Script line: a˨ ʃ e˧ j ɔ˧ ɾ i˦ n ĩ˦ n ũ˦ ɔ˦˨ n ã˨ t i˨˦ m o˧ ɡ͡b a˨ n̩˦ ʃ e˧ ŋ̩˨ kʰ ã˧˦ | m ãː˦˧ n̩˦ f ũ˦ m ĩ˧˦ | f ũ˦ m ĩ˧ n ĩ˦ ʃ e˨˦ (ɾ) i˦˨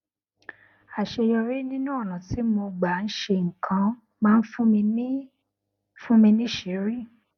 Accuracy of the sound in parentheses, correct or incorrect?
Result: correct